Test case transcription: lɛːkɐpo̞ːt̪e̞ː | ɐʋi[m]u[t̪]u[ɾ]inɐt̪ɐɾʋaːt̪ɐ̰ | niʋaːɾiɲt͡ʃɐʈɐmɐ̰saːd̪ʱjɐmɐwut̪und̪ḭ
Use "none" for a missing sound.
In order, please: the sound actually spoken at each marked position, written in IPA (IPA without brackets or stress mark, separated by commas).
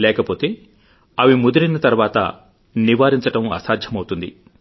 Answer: m, d̪, ɾ